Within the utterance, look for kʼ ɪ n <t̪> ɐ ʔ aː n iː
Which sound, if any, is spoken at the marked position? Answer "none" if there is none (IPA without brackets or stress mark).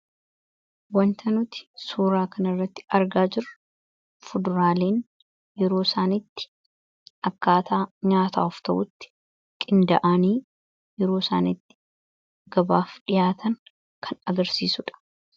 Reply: d̪